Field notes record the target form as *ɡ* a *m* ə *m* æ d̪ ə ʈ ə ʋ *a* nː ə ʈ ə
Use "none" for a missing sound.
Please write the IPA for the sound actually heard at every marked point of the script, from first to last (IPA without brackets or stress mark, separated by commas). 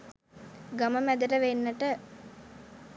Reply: ɡ, m, m, e